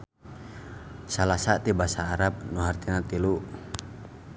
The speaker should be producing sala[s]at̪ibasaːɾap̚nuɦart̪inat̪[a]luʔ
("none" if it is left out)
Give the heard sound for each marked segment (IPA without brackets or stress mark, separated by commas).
s, i